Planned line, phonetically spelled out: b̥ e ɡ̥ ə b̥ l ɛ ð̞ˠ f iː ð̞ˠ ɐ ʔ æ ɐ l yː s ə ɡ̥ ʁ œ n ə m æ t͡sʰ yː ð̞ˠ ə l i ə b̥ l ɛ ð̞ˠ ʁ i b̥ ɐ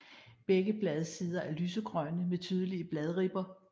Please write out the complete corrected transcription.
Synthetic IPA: b̥ e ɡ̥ ə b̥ l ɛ ð̞ˠ s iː ð̞ˠ ɐ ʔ æ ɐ l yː s ə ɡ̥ ʁ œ n ə m e t͡sʰ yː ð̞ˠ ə l i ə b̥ l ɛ ð̞ˠ ʁ i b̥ ɐ

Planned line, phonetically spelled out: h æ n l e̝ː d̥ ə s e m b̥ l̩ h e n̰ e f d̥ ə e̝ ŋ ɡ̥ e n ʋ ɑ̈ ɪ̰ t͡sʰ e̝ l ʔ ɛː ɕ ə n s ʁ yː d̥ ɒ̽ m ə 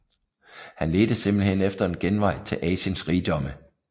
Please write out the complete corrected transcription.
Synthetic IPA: h æ n l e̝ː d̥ ə s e m b̥ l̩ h e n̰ e f d̥ ɐ e̝ n ɡ̥ e n ʋ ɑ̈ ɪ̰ t͡sʰ e̝ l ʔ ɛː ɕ ə n s ʁ iː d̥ ɒ̽ m ə

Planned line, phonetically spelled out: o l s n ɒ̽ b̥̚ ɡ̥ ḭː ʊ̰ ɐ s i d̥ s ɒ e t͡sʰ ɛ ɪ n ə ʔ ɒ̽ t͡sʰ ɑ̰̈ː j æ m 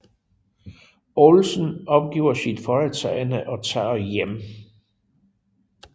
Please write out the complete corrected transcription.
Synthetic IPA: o l s n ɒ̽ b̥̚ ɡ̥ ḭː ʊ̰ ɐ s i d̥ f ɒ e t͡sʰ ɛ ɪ n ə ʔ ɒ̽ t͡sʰ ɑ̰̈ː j e m

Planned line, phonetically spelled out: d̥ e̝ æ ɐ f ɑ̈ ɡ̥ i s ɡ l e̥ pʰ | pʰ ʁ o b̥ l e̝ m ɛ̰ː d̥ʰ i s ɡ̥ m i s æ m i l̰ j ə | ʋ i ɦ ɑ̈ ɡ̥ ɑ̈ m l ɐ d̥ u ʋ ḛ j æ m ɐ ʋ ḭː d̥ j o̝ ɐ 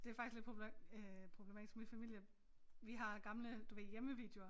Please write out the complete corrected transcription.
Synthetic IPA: d̥ e̝ æ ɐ f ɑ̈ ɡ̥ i s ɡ l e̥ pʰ | pʰ ʁ o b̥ l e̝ m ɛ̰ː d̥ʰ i s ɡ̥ m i f æ m i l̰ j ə | ʋ i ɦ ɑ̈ ɡ̥ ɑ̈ m l ə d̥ u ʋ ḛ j e m ə ʋ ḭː d̥ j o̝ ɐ

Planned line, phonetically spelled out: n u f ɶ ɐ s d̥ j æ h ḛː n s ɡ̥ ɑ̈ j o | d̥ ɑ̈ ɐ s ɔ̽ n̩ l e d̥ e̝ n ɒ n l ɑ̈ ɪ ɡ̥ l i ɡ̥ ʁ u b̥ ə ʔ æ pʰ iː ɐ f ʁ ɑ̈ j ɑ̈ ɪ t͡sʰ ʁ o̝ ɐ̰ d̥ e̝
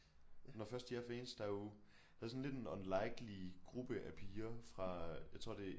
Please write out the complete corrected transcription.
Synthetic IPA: n ɒ f ɶ ɐ s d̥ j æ f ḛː n s d̥ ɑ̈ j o | d̥ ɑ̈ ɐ s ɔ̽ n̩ l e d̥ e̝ n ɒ n l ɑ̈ ɪ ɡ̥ l i ɡ̥ ʁ u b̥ ə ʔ æ pʰ iː ɐ f ʁ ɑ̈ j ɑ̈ ɪ t͡sʰ ʁ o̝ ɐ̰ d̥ e̝

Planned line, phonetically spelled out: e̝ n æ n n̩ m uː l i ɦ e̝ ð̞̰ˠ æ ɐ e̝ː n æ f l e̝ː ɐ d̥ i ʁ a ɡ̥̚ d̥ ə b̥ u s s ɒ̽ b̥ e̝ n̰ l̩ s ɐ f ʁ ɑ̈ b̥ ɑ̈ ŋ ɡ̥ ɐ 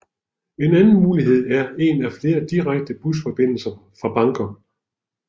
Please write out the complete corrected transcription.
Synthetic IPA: e̝ n æ n n̩ m uː l i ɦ e̝ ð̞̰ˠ æ ɐ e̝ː n æ f l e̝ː ɐ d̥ i ʁ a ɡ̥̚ d̥ ə b̥ u s f ɒ̽ b̥ e̝ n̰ l̩ s ɐ f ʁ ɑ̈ b̥ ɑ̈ ŋ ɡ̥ ɐ

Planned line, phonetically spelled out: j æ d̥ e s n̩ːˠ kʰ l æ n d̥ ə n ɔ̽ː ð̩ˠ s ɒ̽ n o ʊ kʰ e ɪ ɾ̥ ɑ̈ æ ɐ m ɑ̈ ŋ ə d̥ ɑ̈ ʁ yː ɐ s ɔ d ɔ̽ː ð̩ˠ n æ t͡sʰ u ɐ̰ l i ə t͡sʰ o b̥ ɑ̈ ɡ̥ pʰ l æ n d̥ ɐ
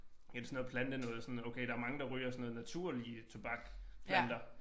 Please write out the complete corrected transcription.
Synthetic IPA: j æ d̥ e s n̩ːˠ pʰ l æ n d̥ ə n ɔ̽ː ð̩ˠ s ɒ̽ n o ʊ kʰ e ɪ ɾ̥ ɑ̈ æ ɐ m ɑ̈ ŋ ə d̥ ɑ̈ ʁ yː ɐ s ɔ n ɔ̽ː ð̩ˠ n æ t͡sʰ u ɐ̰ l i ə t͡sʰ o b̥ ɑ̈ ɡ̥ pʰ l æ n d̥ ɐ

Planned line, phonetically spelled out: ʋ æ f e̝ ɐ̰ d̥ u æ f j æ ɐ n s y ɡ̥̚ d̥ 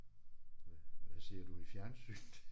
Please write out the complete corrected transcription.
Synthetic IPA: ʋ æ s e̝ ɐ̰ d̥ u i f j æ ɐ n s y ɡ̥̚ d̥

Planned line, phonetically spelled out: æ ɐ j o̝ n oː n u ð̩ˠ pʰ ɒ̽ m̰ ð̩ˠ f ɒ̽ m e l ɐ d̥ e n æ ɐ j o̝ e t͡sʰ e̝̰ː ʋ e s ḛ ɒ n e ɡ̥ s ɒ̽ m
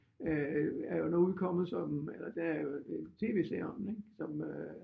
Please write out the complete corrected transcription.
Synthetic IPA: æ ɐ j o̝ n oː u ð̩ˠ kʰ ɒ̽ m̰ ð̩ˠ s ɒ̽ m e l ɐ d̥ e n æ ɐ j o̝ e t͡sʰ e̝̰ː ʋ e s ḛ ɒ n e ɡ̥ s ɒ̽ m

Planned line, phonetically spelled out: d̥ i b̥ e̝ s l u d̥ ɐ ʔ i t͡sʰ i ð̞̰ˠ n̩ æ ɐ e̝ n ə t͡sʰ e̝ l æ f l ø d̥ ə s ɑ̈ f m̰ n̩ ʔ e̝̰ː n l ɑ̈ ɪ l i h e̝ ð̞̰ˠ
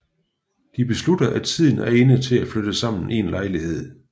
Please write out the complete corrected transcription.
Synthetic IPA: d̥ i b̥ e̝ s l u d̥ ɐ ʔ æ t͡sʰ i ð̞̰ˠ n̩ æ ɐ e̝ n ə t͡sʰ e̝ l æ f l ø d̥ ə s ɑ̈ m̰ n̩ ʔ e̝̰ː n l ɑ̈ ɪ l i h e̝ ð̞̰ˠ

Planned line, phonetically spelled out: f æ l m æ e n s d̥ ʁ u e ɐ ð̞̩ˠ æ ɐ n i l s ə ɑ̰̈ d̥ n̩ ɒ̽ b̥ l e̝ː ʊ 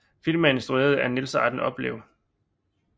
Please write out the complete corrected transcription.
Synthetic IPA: f i l m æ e n s d̥ ʁ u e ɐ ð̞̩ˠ æ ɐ n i l s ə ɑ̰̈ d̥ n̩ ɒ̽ b̥ l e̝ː ʊ

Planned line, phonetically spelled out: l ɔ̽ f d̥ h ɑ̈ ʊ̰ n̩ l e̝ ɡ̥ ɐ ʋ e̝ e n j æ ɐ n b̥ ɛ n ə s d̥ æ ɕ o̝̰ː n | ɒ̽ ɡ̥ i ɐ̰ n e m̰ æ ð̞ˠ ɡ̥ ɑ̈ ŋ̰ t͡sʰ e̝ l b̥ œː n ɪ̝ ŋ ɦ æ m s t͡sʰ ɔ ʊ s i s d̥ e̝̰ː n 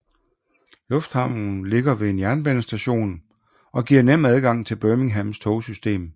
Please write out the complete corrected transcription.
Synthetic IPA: l ɔ̽ f d̥ h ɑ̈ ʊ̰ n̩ l e̝ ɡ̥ ɐ ʋ e̝ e n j æ ɐ n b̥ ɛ n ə s d̥ æ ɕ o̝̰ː n | ɒ̽ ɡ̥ i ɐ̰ n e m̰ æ ð̞ˠ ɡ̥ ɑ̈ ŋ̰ t͡sʰ e̝ l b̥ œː m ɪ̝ ŋ ɦ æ m s t͡sʰ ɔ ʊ s y s d̥ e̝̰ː m

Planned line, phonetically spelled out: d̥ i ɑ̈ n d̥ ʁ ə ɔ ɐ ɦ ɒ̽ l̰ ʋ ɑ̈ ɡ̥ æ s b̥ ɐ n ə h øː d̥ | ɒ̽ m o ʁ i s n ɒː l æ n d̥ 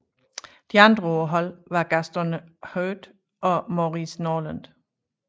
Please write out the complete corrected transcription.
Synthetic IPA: d̥ i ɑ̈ n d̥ ʁ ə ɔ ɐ ɦ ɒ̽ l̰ ʋ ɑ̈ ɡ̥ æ s d̥ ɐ n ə h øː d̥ | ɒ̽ m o ʁ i s n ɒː l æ n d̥

